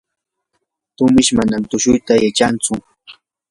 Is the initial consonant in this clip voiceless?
yes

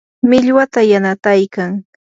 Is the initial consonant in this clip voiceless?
no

